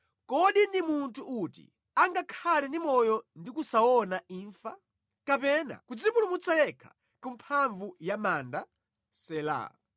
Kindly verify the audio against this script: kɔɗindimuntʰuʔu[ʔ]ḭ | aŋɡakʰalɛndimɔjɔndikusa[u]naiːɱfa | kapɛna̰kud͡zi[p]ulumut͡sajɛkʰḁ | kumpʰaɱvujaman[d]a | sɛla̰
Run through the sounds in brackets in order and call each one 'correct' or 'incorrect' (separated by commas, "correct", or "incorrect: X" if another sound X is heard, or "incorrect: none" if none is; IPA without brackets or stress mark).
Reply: incorrect: t, incorrect: ɔ, correct, correct